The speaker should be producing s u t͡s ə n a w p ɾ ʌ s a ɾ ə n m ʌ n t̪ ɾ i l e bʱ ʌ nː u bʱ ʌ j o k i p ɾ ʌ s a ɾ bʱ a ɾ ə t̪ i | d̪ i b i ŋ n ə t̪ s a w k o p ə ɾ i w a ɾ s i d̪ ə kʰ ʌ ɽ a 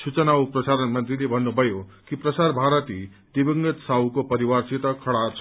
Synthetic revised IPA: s u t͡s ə n a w p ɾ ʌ s a ɾ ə n m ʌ n t̪ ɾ i l e bʱ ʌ nː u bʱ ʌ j o k i p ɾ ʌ s a ɾ bʱ a ɾ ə t̪ i | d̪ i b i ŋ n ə t̪ s a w k o p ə ɾ i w a ɾ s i t̪ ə kʰ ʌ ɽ a